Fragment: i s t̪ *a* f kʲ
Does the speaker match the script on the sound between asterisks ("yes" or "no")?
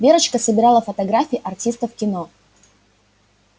no